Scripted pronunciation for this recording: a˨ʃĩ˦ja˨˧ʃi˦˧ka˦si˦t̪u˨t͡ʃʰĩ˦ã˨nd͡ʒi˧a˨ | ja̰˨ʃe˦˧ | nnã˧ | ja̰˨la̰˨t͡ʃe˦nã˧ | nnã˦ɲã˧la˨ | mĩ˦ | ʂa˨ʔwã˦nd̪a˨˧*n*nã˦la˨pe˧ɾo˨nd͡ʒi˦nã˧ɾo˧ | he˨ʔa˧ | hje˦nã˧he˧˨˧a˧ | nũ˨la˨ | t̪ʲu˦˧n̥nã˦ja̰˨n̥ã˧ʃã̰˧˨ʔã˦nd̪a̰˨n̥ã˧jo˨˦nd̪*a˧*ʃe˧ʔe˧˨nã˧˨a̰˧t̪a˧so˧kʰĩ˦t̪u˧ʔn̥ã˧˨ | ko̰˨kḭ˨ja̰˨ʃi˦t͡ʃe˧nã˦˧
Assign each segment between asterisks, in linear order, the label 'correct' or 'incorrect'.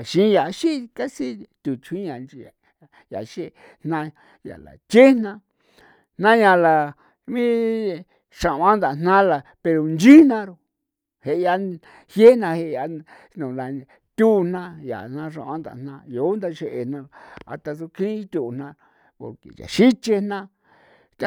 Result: correct, correct

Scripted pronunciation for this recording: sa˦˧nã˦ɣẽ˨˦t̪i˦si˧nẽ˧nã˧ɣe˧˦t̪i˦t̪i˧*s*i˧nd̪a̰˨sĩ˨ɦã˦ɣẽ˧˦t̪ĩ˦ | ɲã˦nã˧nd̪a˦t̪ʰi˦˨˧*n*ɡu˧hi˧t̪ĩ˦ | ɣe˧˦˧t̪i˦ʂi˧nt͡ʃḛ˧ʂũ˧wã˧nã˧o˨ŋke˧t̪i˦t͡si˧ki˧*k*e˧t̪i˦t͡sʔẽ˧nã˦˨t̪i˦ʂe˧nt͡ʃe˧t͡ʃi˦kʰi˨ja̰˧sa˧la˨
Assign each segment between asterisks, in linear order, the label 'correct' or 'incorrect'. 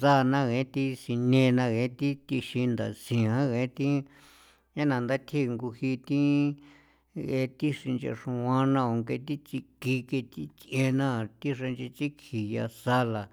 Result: incorrect, incorrect, correct

